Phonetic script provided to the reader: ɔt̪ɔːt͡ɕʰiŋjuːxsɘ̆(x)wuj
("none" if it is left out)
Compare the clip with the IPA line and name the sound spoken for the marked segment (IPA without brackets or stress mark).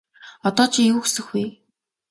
x